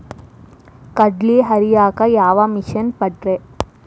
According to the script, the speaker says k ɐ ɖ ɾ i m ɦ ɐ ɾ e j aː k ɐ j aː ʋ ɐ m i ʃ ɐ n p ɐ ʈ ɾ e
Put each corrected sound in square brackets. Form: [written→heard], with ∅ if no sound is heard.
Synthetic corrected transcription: k ɐ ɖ [ɾ→l] i [m→∅] ɦ ɐ ɾ [e→i] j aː k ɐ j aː ʋ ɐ m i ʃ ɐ n p ɐ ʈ ɾ e